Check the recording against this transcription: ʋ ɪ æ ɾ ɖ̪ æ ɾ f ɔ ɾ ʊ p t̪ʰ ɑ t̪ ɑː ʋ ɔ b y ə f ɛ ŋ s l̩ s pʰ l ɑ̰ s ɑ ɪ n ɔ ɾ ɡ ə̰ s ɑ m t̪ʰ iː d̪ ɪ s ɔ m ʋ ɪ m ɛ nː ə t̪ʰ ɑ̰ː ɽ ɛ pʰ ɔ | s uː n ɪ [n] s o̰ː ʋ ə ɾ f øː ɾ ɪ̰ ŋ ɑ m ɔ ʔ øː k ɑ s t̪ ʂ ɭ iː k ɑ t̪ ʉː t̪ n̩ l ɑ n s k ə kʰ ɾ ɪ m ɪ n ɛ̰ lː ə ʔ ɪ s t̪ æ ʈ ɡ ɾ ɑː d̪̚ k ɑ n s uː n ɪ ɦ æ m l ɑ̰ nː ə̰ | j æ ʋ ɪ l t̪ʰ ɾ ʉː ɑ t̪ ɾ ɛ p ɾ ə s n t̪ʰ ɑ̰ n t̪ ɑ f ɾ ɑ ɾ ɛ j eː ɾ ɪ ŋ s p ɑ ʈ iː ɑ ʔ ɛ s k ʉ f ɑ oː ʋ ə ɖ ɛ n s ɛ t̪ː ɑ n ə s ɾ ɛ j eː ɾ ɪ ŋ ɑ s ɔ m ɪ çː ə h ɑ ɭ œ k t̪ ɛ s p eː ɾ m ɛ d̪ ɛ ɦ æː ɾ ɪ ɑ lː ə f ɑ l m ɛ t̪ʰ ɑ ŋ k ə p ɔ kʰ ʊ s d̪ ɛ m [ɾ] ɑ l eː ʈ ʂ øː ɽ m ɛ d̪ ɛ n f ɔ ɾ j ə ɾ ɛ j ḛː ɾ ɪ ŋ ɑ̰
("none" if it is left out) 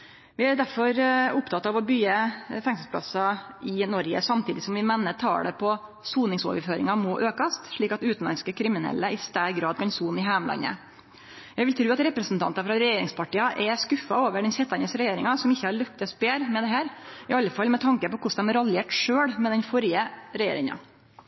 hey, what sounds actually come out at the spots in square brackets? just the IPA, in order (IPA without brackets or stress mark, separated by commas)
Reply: ŋ, ɾ